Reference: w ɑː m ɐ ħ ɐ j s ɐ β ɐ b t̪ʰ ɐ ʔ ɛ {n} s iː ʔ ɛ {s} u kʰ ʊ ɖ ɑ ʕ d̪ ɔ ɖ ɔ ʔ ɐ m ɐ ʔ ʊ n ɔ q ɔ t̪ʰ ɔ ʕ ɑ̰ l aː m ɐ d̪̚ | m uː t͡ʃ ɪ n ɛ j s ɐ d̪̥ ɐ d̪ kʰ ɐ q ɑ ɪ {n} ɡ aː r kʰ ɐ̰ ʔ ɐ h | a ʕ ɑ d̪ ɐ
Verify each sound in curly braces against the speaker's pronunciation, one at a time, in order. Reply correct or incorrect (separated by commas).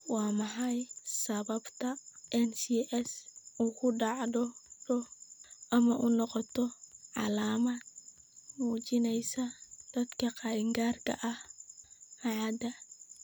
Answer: correct, correct, incorrect